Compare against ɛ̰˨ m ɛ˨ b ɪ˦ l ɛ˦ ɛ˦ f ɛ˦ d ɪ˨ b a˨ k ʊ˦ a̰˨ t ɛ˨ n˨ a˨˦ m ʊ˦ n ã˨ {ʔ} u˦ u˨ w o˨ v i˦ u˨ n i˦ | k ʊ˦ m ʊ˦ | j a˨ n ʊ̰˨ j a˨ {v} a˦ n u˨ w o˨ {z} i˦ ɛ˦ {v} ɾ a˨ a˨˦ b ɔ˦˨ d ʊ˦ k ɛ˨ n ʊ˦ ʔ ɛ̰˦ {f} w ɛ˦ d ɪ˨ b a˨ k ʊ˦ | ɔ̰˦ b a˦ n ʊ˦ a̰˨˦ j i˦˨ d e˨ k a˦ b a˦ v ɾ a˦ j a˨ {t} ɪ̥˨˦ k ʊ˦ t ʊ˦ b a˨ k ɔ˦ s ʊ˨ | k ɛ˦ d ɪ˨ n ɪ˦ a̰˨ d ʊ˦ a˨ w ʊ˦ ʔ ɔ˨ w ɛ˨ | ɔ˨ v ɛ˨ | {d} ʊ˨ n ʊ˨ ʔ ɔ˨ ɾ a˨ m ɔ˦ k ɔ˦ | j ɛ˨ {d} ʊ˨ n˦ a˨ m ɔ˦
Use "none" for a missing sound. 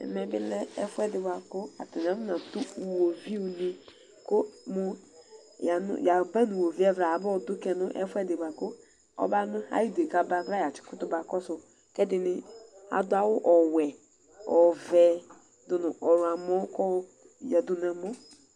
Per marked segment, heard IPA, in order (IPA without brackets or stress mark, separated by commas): t, b, v, v, f, t͡ʃ, d, d